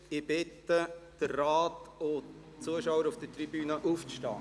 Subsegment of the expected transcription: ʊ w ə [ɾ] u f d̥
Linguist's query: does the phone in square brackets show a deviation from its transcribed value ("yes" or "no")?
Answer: no